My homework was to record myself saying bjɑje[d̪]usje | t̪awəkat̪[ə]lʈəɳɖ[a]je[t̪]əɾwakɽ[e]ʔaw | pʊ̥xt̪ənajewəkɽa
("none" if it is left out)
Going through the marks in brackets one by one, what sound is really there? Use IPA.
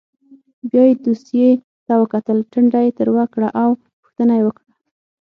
d̪, ə, a, t̪, a

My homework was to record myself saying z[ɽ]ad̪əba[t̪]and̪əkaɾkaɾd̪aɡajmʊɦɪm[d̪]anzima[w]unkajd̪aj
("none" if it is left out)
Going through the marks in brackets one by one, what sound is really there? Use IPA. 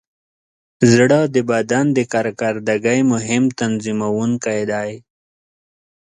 ɽ, d̪, t̪, w

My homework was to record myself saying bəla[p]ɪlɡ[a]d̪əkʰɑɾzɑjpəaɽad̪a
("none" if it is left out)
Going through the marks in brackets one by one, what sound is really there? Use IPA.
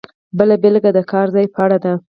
b, a

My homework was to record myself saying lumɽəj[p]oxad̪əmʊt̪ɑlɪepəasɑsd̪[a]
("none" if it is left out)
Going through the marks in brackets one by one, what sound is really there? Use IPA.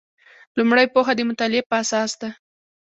p, a

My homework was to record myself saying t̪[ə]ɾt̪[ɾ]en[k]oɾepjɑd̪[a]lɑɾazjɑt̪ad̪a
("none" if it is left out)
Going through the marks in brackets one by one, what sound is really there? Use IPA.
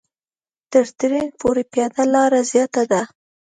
ə, ɾ, p, a

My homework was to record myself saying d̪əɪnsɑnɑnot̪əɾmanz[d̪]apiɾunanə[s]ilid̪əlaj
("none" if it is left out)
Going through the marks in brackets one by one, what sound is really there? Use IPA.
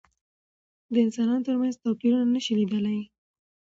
t̪, ʃ

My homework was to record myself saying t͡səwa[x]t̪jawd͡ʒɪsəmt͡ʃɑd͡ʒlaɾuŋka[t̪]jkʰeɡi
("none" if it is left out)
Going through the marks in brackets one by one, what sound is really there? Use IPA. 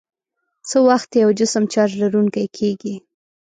x, none

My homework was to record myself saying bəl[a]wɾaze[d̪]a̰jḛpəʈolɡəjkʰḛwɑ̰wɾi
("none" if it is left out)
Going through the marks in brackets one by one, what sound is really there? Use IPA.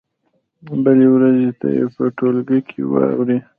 e, t̪

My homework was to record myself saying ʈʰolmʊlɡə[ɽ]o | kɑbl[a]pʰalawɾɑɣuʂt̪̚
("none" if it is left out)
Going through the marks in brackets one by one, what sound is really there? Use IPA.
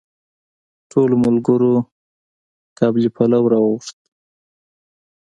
ɾ, i

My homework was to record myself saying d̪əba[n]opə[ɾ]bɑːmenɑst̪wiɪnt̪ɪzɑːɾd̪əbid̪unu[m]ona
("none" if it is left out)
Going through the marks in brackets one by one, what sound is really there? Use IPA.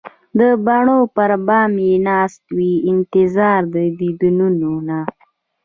ɳ, ɾ, n

